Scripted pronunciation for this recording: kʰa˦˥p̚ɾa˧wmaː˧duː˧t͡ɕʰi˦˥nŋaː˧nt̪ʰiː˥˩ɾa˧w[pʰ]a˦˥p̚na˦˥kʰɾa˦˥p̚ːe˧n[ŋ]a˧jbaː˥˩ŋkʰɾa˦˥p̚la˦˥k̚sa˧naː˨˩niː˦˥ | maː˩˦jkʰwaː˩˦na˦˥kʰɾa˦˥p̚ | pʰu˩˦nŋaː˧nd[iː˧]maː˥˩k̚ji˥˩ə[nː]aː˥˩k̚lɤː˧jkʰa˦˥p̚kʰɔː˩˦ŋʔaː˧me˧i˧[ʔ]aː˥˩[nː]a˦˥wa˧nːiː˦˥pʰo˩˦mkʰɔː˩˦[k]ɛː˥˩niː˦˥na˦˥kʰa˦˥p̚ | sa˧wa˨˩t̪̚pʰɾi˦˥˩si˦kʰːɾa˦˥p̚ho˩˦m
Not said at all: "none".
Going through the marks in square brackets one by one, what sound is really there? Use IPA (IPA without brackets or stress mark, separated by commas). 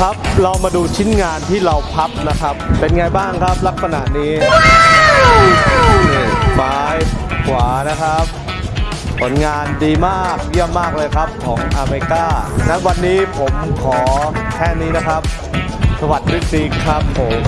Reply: pʰ, ŋ, iː˧, mː, k, n, kʰ